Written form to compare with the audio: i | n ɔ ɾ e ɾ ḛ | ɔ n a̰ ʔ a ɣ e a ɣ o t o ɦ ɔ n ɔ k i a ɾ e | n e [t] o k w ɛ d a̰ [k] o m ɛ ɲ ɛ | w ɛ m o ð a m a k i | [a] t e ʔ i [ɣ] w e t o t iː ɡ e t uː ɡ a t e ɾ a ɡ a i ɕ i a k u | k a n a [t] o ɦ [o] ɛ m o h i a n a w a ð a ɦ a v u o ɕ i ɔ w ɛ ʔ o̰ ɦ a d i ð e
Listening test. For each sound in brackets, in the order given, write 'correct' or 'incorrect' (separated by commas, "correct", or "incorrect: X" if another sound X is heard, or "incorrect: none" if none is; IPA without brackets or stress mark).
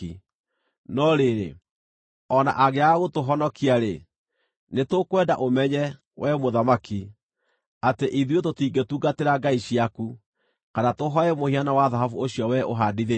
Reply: correct, incorrect: ʔ, correct, incorrect: ð, correct, incorrect: ɔ